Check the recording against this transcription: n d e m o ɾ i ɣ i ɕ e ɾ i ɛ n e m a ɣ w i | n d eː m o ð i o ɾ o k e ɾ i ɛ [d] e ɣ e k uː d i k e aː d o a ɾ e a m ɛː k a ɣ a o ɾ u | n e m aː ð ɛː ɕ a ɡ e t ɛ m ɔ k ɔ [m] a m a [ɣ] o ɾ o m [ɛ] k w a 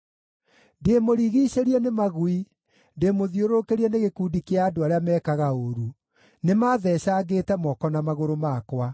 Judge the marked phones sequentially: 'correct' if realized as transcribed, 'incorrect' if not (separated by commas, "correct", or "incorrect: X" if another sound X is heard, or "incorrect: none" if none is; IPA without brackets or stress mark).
incorrect: n, incorrect: n, correct, incorrect: a